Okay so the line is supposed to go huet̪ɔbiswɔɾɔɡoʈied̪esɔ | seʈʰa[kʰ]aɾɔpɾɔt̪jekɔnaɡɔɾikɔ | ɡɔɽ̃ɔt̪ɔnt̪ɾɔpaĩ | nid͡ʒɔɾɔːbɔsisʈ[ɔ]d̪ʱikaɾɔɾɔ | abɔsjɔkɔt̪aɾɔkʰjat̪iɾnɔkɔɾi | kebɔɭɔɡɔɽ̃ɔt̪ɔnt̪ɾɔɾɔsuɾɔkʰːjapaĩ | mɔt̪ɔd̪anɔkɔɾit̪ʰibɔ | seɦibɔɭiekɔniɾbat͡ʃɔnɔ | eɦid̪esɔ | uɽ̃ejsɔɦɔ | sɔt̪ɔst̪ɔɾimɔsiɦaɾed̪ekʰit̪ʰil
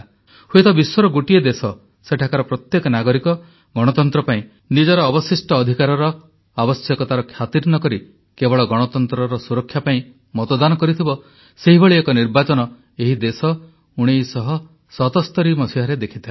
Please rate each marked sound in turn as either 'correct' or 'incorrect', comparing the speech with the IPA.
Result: incorrect: k, incorrect: ɔː

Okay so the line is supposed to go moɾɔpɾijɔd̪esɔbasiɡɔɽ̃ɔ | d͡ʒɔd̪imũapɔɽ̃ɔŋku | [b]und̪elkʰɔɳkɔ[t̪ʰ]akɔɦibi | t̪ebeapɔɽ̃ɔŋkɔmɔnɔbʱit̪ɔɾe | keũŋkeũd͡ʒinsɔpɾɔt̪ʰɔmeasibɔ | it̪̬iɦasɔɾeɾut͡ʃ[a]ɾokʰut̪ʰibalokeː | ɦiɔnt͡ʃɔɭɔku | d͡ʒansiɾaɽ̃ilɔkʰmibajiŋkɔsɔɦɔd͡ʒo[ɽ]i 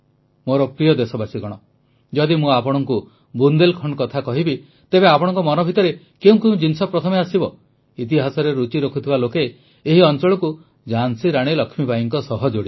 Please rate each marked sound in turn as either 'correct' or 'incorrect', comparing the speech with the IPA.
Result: correct, correct, incorrect: i, correct

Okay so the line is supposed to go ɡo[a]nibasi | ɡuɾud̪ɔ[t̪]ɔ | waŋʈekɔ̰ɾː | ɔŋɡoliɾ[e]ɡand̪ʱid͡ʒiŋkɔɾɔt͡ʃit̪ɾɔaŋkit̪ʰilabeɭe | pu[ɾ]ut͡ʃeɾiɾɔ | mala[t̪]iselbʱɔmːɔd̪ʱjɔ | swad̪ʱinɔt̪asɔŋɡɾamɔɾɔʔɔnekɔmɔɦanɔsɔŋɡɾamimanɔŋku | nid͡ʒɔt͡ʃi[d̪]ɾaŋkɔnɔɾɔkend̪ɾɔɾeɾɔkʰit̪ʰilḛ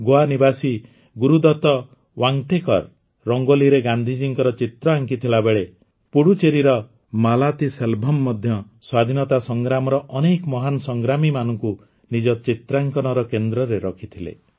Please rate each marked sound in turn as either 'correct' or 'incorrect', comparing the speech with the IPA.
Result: correct, correct, correct, incorrect: ɽ, correct, incorrect: t̪

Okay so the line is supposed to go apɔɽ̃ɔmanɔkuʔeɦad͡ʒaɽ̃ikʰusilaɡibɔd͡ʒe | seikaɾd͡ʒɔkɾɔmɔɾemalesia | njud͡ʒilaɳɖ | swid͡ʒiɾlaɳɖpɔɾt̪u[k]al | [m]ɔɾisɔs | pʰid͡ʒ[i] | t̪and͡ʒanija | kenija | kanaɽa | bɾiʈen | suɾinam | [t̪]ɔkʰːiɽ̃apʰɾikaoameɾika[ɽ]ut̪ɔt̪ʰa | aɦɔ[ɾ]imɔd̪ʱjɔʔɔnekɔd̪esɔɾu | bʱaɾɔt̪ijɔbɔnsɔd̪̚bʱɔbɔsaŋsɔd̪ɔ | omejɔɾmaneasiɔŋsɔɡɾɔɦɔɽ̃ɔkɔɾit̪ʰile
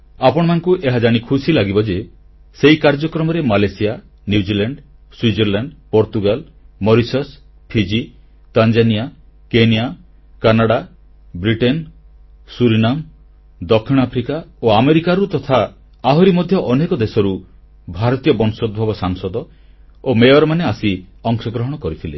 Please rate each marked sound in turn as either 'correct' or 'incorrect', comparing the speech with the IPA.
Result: incorrect: ɡ, correct, correct, incorrect: d̪, incorrect: ɾ, correct

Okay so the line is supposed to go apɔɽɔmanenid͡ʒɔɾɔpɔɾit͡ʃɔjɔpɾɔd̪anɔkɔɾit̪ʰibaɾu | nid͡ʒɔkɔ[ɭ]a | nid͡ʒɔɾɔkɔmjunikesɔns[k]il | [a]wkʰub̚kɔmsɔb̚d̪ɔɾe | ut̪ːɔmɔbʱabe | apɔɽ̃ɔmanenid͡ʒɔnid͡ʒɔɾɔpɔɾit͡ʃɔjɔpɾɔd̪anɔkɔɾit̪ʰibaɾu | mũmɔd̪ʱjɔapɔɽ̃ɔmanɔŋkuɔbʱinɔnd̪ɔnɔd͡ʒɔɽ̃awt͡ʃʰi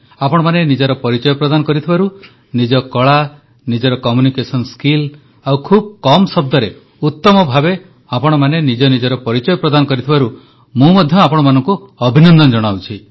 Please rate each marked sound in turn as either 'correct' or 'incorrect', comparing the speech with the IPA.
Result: correct, correct, correct

